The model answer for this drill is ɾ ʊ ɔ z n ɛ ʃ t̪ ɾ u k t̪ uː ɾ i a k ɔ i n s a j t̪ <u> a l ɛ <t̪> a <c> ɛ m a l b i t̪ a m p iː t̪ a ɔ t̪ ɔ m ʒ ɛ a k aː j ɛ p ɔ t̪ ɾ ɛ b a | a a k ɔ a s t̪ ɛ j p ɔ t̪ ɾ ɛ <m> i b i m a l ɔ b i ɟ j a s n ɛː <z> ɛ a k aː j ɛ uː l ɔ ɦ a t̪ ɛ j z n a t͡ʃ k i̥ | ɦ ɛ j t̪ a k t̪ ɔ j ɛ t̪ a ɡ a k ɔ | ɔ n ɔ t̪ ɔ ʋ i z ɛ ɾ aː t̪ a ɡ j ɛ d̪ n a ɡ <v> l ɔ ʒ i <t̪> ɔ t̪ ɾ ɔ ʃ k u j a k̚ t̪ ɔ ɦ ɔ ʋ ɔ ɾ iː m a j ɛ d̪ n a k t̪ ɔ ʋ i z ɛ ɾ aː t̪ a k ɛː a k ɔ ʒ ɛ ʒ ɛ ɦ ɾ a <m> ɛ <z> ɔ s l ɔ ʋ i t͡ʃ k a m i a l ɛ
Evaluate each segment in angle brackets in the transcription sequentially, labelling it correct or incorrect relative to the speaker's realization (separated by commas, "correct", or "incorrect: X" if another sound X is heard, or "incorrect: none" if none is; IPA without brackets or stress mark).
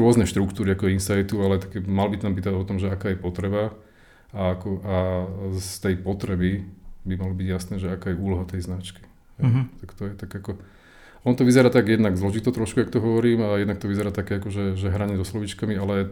correct, correct, incorrect: k, incorrect: b, incorrect: ʒ, incorrect: z, correct, incorrect: ɲ, correct